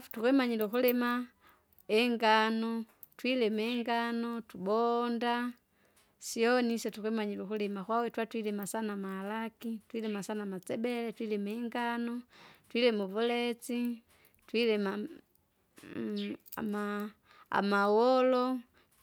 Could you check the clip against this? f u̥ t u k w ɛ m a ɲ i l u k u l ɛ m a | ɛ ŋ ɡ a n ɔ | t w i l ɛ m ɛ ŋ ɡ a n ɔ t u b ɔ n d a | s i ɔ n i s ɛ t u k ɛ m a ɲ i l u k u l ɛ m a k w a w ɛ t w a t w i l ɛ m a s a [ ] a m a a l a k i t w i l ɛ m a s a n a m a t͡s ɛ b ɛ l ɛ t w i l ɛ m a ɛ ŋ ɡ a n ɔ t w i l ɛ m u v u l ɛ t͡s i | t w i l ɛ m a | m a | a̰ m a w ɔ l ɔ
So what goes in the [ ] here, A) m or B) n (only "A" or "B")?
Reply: B